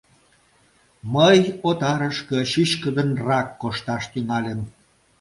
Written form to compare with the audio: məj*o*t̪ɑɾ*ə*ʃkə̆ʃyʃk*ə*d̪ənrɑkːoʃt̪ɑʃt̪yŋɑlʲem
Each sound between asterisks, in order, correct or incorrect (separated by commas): correct, correct, correct